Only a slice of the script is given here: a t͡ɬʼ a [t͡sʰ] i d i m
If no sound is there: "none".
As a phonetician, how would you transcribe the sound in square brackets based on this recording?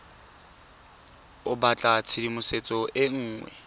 t͡sʰ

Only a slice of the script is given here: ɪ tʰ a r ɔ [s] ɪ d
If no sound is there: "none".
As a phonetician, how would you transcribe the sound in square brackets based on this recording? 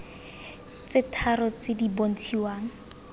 t͡s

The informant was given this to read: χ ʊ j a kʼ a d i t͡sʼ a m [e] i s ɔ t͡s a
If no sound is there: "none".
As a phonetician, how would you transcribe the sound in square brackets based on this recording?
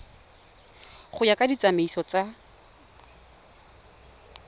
e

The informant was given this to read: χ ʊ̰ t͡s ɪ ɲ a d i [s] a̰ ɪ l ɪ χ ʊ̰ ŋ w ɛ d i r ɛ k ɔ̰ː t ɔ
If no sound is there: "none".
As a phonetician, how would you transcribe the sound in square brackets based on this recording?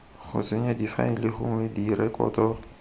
f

